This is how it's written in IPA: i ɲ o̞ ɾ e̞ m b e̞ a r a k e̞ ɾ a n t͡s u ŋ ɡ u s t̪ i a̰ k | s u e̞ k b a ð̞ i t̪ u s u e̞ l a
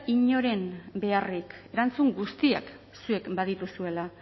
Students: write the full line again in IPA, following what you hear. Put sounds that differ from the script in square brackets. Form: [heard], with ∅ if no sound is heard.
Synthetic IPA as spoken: i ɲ o̞ ɾ e̞ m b e̞ a r [i] k e̞ ɾ a n t͡s u ŋ ɡ u s t̪ i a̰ k | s u e̞ k b a ð̞ i t̪ u s u e̞ l a